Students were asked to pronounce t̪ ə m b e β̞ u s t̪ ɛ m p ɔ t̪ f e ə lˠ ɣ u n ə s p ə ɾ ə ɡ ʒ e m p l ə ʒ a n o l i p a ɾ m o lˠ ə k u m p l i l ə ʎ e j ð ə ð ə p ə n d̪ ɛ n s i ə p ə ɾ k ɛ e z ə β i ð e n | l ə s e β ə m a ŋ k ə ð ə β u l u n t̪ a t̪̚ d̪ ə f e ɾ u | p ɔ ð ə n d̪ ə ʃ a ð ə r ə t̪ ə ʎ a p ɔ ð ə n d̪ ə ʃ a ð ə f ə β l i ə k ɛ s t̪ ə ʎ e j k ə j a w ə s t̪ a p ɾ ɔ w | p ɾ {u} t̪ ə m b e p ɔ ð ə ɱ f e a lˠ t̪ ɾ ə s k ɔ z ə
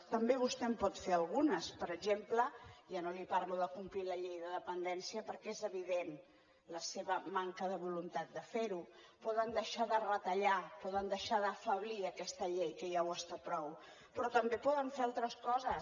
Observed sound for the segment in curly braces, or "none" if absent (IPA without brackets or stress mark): ɔ